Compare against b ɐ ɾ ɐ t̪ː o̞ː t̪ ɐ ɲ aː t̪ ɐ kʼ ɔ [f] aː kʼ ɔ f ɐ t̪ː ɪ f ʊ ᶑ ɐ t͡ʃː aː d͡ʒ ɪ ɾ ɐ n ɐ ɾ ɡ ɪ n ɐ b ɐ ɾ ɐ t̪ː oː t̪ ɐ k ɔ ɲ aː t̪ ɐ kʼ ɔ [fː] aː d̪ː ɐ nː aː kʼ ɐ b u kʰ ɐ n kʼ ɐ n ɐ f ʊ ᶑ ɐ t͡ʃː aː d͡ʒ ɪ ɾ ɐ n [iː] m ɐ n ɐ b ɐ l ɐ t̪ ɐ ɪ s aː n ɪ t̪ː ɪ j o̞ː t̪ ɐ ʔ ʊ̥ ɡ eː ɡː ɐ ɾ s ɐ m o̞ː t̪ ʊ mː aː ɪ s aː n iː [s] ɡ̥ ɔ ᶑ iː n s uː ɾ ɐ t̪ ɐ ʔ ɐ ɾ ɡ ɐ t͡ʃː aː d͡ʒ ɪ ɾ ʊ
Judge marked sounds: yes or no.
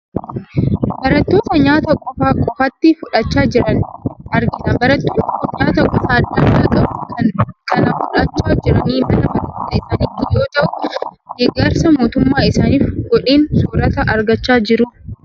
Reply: yes, no, yes, no

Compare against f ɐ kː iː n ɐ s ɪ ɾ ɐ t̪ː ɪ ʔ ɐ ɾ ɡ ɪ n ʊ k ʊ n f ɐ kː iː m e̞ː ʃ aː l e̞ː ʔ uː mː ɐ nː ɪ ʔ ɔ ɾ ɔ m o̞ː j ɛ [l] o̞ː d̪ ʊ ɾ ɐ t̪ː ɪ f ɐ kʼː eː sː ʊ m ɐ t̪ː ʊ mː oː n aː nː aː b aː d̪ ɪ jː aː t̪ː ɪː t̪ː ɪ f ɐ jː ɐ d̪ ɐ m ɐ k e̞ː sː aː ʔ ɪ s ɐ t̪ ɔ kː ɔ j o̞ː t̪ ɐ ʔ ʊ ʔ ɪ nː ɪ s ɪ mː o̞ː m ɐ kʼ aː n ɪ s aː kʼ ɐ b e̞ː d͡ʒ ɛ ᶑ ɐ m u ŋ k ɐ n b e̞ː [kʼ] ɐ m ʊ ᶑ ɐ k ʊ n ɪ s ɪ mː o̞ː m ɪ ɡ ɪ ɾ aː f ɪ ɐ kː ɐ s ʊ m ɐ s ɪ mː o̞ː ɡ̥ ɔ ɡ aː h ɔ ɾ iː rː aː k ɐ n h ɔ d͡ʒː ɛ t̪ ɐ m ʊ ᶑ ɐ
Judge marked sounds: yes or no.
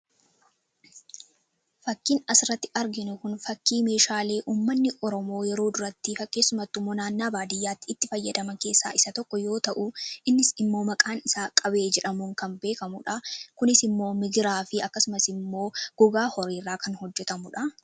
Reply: no, no

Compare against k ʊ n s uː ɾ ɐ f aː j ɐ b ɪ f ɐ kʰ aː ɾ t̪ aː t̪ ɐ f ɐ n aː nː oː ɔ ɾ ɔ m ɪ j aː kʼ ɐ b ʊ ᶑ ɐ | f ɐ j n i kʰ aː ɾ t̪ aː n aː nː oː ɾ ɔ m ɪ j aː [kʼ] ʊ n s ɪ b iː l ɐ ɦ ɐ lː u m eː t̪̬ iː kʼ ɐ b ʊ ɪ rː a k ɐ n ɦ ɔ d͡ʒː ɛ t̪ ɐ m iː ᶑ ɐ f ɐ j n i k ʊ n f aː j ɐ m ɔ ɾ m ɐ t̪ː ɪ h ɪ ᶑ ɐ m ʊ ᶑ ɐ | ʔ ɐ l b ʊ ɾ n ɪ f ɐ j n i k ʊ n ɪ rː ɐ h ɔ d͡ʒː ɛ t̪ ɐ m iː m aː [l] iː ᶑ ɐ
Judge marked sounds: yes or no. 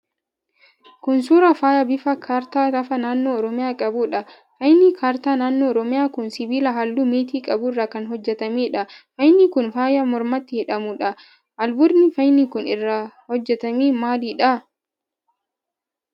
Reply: no, yes

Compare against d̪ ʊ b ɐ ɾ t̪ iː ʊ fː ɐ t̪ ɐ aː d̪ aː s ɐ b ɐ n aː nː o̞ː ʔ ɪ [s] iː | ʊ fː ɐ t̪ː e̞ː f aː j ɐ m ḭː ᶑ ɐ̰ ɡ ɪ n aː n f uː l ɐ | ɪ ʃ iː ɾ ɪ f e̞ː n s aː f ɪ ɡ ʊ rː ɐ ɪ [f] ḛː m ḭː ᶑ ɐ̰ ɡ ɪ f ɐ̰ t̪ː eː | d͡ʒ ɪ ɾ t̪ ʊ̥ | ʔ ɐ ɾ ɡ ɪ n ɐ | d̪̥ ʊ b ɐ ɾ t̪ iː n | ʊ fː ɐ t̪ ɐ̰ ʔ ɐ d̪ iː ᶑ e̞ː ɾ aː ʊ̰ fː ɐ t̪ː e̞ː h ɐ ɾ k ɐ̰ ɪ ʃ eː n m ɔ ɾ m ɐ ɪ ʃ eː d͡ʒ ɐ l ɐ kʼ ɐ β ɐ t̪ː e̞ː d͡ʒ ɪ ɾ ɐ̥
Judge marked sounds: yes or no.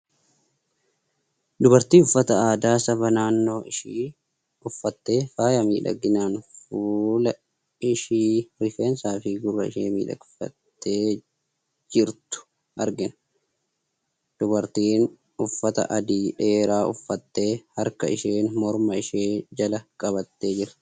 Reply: no, no

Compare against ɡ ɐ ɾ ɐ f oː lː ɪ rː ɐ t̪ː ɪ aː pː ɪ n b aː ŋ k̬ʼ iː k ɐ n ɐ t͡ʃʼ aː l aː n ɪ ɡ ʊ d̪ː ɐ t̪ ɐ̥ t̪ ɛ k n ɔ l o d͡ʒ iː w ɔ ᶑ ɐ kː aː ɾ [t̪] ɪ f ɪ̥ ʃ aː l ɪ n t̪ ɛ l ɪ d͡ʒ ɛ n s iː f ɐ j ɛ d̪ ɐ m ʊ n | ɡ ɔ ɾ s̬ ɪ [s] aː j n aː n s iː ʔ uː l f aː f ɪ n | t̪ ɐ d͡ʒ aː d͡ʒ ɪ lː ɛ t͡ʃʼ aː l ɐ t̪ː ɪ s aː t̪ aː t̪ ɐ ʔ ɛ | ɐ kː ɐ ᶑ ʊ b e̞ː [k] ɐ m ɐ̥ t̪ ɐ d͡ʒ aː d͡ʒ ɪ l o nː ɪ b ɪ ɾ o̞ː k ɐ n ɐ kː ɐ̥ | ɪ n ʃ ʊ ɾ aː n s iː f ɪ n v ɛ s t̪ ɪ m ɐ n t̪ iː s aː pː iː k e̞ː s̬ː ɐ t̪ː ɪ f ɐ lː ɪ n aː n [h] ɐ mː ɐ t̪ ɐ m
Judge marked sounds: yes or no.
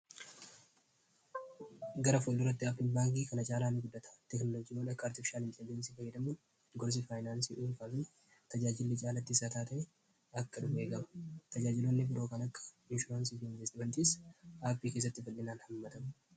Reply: yes, no, no, yes

